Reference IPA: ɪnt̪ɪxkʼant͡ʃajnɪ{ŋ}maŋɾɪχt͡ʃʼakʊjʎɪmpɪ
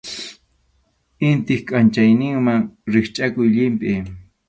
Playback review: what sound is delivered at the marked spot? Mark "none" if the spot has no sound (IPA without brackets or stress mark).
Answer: ŋ